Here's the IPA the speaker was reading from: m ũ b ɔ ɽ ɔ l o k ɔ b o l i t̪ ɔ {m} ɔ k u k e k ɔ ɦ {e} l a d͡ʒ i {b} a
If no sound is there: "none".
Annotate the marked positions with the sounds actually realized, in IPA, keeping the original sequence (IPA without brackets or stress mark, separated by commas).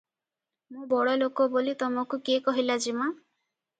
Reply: m, i, m